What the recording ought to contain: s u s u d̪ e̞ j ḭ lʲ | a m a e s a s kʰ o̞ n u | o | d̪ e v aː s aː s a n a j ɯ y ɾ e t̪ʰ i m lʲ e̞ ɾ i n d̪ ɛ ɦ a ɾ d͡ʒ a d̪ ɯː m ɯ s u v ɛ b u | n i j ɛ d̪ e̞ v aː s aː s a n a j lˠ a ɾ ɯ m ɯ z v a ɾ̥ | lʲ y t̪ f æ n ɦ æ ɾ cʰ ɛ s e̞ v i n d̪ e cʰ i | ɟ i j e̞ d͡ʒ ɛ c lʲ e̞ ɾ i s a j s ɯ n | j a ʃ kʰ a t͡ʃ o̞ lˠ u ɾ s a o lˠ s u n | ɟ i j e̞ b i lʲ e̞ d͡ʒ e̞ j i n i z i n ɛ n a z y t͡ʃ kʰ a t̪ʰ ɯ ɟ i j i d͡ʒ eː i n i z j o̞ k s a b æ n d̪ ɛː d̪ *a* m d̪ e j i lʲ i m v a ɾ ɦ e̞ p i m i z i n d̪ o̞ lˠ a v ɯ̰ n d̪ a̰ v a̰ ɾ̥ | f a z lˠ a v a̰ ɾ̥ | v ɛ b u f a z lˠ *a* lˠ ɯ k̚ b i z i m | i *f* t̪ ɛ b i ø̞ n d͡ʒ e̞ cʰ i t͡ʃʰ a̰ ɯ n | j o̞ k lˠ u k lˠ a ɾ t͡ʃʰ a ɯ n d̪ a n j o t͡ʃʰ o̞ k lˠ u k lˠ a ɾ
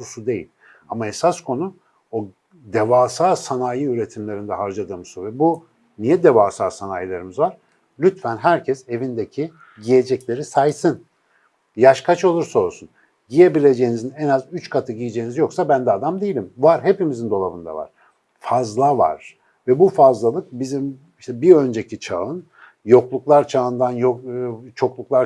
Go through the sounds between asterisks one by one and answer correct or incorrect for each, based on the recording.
correct, correct, incorrect

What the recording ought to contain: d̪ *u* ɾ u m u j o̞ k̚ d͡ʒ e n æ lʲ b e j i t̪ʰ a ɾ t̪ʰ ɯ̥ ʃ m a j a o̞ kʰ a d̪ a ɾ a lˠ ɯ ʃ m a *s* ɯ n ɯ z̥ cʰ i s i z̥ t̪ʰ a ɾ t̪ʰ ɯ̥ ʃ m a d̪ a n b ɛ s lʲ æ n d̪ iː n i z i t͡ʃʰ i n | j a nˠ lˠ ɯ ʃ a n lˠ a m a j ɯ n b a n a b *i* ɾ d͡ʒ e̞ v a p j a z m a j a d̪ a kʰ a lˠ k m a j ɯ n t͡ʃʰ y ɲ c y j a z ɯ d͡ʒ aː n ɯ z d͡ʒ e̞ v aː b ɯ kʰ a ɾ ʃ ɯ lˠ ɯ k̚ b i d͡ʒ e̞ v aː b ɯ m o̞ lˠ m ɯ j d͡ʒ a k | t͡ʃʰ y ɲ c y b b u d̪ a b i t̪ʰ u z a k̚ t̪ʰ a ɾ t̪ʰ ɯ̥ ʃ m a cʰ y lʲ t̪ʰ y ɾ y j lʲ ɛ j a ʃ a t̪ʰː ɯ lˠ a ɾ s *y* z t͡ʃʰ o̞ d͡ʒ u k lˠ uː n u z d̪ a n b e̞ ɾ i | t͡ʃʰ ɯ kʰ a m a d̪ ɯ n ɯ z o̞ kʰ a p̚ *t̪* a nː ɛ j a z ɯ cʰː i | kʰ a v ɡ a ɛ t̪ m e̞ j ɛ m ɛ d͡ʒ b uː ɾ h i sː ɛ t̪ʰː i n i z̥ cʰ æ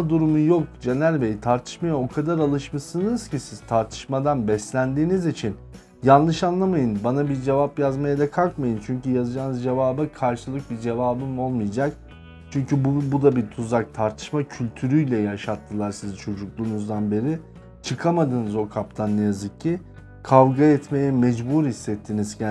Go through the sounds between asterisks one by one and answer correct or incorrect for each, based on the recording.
correct, correct, correct, incorrect, incorrect

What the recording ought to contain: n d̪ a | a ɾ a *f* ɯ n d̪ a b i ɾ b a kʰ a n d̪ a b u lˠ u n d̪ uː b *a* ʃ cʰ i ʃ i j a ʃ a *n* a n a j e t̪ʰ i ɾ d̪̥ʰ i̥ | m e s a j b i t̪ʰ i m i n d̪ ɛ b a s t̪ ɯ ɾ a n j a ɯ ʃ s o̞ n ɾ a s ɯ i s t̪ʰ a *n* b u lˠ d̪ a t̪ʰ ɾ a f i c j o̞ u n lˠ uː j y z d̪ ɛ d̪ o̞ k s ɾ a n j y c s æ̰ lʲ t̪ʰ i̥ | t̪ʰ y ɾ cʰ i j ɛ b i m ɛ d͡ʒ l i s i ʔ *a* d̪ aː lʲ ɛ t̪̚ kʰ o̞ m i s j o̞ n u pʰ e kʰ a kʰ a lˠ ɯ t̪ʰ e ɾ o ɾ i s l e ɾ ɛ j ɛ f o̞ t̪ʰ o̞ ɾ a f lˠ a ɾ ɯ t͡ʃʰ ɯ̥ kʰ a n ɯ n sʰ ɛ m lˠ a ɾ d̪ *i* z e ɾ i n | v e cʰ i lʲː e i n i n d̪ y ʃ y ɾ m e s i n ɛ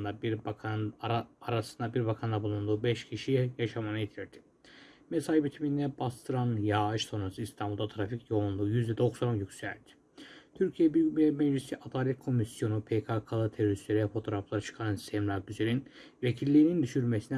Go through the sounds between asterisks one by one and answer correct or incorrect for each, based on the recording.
incorrect, incorrect, incorrect, incorrect, correct, incorrect

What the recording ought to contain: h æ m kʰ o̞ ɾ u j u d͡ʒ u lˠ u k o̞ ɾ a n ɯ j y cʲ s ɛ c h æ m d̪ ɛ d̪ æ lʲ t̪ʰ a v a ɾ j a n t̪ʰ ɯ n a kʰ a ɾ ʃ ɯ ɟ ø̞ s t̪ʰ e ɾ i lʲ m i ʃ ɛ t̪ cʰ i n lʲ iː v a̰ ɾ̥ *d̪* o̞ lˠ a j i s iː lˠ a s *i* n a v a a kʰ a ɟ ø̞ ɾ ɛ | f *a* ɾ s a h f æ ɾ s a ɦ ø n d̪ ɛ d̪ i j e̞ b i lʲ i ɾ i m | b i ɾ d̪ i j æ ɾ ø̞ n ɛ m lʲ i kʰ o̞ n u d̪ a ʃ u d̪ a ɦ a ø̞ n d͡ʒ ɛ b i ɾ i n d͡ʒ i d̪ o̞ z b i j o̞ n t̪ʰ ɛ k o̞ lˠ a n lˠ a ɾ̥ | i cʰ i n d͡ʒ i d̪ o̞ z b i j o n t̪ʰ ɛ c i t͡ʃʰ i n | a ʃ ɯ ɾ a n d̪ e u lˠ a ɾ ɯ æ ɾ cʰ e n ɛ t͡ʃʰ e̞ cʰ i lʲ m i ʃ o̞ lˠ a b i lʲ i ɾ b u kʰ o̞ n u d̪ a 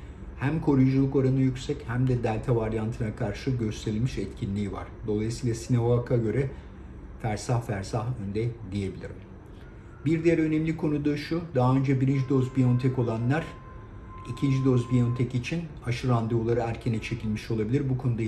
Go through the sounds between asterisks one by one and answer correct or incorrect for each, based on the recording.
correct, correct, incorrect

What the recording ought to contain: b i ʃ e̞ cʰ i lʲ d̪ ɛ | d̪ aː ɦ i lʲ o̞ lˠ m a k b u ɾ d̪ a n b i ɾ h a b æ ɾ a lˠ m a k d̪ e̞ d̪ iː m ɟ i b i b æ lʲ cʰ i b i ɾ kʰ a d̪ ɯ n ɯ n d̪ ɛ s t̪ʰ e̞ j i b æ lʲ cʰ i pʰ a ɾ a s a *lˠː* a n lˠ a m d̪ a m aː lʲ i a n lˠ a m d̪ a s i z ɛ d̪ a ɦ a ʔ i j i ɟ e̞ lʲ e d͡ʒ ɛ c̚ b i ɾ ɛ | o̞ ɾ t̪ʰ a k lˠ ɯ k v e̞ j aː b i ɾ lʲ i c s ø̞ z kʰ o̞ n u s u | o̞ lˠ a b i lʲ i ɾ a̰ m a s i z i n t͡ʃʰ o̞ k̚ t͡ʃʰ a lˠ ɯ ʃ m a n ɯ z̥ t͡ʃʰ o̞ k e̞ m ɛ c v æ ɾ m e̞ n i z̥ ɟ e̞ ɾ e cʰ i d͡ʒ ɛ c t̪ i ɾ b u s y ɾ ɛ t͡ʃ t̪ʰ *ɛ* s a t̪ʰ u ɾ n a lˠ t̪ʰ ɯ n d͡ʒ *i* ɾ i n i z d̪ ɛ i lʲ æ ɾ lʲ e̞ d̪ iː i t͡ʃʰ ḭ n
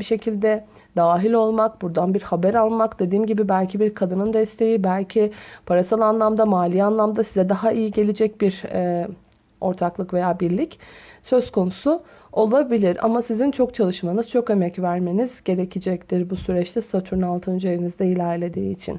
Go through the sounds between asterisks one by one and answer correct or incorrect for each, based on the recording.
incorrect, correct, incorrect

